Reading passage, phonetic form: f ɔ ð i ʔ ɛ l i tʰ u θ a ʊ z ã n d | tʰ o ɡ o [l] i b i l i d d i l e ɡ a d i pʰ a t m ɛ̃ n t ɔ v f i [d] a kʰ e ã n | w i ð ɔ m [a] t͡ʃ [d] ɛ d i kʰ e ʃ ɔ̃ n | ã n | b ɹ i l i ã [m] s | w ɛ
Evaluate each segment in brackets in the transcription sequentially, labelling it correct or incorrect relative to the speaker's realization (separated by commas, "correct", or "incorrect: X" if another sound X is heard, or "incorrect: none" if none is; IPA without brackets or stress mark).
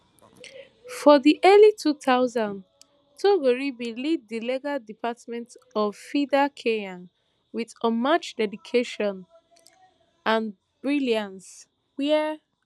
incorrect: ɹ, correct, correct, correct, incorrect: n